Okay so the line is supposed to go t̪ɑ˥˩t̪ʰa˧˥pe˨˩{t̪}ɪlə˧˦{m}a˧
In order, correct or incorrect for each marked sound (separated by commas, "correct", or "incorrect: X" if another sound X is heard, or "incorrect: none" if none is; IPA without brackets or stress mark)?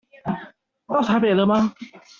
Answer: incorrect: none, correct